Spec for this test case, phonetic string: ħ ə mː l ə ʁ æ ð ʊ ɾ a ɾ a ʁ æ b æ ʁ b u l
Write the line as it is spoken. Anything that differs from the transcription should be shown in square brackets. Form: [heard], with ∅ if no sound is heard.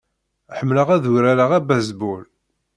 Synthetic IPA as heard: ħ ə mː l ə ʁ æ ð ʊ ɾ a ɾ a ʁ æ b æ [z] b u l